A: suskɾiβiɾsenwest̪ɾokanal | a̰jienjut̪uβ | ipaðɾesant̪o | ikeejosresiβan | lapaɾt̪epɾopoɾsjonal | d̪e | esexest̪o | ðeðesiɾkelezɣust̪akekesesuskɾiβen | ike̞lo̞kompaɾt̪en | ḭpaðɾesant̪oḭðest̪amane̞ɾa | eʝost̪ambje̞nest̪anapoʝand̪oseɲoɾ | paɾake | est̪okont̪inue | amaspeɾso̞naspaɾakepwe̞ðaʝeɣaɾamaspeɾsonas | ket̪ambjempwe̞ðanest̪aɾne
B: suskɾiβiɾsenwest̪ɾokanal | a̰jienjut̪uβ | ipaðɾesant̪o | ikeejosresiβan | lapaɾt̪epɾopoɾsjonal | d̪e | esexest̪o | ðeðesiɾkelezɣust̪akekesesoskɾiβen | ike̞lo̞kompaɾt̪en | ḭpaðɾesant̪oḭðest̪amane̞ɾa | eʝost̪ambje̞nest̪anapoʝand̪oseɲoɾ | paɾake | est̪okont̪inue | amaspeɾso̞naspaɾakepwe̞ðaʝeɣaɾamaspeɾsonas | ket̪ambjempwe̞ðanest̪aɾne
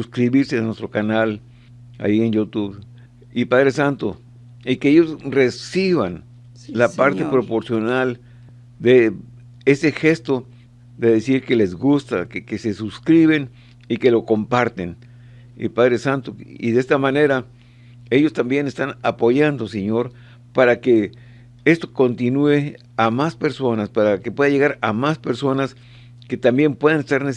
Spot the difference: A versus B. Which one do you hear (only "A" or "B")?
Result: A